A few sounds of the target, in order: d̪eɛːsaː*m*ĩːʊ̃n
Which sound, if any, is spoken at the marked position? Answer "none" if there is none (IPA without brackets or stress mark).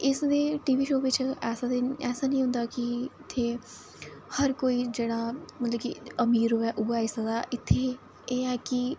n